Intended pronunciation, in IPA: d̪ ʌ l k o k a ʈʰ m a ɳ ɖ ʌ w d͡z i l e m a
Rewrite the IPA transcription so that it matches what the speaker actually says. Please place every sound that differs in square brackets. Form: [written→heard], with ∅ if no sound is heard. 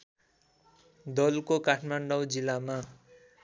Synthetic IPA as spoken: d̪ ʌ l k o k a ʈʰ m a ɳ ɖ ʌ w d͡z i l [e→a] m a